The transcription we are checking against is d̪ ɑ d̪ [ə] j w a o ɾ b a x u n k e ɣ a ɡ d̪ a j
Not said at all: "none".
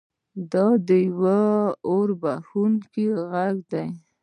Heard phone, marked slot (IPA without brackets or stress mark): ə